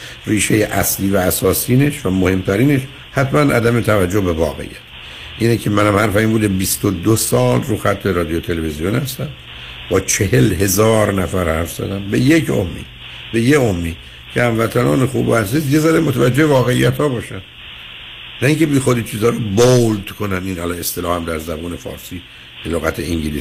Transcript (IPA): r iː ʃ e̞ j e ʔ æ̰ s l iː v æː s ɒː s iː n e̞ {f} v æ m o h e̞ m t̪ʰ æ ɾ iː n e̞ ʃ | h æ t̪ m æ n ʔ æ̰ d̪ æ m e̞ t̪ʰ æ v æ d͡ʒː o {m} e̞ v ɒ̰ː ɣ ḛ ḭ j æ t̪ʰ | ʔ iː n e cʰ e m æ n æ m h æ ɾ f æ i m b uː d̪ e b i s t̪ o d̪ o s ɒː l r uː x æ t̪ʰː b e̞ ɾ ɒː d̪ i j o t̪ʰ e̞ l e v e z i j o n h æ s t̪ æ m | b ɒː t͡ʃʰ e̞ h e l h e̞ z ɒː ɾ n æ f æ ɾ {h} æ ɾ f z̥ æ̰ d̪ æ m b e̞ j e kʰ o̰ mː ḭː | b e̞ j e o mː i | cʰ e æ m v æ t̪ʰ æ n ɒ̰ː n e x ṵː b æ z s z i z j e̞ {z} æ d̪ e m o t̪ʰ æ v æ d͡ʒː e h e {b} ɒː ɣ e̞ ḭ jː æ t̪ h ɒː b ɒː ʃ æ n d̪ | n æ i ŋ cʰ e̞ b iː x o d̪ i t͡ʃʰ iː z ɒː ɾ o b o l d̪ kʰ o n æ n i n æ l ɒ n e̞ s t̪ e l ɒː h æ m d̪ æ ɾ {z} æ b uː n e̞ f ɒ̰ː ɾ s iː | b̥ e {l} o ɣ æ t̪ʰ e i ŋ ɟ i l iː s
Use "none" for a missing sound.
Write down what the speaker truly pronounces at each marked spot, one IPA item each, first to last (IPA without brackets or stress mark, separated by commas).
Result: ʃ, b, h, z, v, z, l